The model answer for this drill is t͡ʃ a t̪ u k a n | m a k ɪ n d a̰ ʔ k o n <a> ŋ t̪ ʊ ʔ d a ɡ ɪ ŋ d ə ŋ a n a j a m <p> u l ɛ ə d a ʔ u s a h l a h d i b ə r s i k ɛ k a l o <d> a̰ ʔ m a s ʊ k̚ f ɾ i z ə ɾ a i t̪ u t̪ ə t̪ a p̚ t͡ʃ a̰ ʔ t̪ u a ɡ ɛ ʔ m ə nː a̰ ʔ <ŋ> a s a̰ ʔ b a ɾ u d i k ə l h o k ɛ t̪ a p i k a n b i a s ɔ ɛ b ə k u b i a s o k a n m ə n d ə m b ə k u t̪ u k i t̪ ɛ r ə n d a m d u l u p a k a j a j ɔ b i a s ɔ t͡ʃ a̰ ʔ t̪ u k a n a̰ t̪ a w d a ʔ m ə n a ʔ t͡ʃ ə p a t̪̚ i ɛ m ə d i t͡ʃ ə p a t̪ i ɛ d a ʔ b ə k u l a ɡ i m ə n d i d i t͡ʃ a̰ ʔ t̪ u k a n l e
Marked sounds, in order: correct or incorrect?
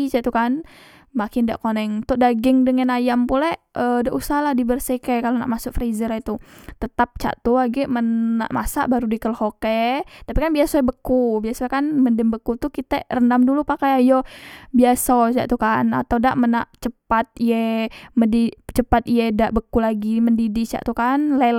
incorrect, correct, incorrect, incorrect

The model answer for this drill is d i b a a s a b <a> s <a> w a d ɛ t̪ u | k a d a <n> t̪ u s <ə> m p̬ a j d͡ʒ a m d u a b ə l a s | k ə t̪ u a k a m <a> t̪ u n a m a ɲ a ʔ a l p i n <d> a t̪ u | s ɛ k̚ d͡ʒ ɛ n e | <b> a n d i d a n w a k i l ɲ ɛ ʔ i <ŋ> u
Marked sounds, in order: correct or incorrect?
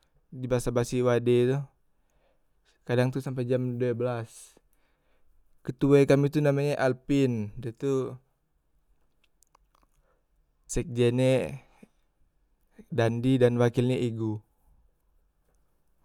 correct, incorrect, incorrect, incorrect, incorrect, correct, incorrect, incorrect

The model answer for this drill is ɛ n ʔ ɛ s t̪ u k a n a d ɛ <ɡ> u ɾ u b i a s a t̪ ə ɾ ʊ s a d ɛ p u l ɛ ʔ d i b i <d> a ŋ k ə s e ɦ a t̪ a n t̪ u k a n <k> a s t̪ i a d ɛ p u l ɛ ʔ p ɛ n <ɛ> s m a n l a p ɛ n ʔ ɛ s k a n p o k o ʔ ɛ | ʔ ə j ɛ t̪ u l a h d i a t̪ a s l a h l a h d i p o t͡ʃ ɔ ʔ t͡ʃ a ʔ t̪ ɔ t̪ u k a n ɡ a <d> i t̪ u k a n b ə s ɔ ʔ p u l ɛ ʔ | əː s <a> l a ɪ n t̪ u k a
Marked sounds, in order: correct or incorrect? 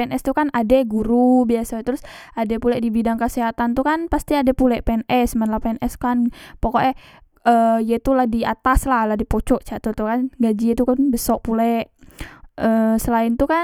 correct, correct, incorrect, correct, incorrect, incorrect

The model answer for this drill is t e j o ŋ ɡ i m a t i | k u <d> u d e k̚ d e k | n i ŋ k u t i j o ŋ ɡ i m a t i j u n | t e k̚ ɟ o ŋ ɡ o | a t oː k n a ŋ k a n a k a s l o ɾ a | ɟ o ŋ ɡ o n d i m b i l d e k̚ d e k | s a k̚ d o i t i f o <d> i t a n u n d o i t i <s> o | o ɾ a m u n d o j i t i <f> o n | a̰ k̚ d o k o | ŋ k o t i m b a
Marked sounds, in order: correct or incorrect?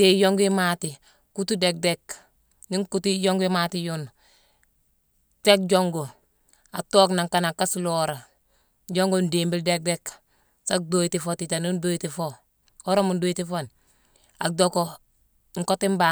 incorrect, incorrect, incorrect, correct

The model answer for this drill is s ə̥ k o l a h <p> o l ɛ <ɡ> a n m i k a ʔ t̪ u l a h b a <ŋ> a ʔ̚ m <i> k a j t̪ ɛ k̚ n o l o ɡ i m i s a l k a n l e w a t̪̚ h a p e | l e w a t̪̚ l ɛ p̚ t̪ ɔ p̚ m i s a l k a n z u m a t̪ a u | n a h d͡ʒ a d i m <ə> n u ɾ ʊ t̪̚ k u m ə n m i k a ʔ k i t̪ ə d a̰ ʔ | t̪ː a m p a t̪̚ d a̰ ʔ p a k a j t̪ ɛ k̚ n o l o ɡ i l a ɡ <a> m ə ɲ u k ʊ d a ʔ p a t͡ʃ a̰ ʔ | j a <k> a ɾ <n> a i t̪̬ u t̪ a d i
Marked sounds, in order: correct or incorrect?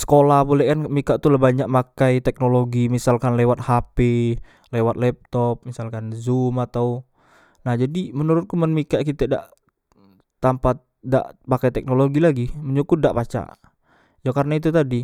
incorrect, incorrect, incorrect, incorrect, correct, incorrect, correct, correct

